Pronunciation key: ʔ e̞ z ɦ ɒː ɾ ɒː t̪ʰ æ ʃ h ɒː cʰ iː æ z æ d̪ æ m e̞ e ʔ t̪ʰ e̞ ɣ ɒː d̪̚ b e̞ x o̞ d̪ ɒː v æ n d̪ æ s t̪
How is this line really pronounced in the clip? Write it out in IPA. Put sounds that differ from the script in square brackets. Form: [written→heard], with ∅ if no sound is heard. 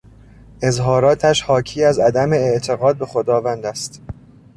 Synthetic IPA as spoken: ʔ e̞ z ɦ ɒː ɾ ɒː t̪ʰ æ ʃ h ɒː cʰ iː æ z æ d̪ æ m e̞ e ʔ t̪ʰ e̞ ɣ ɒː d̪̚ b e̞ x o̞ d̪ ɒː v æ n d̪ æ s t̪